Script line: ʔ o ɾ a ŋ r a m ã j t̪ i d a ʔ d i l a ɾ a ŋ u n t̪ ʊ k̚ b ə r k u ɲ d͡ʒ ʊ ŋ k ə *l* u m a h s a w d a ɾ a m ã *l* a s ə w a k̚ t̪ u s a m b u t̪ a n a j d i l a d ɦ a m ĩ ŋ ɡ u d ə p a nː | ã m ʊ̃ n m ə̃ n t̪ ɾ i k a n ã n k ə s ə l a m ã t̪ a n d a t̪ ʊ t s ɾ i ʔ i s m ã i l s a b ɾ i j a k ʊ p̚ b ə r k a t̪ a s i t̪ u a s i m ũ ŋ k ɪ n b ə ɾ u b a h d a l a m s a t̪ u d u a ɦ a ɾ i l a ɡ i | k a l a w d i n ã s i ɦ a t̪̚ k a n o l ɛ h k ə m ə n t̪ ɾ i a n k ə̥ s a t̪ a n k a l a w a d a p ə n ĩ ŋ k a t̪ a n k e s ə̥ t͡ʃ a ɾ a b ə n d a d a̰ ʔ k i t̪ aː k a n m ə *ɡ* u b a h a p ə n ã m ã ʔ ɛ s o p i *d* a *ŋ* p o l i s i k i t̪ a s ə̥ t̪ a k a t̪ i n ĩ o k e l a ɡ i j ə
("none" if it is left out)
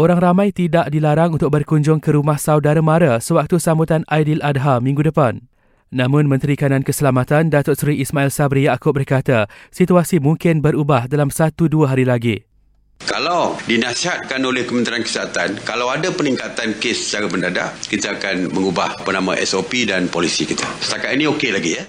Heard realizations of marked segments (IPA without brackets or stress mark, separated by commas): ɾ, ɾ, ŋ, d, n